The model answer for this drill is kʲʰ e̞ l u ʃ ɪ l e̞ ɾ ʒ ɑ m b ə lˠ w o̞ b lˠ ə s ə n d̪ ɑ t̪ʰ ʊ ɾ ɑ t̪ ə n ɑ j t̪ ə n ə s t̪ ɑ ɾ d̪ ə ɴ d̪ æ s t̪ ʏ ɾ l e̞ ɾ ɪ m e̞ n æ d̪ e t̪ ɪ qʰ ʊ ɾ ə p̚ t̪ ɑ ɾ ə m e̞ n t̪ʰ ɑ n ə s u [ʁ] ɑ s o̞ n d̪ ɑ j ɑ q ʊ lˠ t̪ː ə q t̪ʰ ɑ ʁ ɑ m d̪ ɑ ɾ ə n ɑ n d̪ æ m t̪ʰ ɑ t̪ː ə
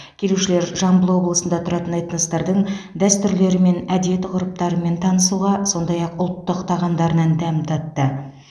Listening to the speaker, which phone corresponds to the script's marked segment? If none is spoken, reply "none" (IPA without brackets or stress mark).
ʁ